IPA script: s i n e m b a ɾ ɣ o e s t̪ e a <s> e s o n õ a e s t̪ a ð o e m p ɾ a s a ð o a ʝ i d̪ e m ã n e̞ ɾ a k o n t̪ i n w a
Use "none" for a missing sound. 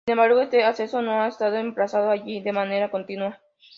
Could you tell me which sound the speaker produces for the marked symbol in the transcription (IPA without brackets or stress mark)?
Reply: s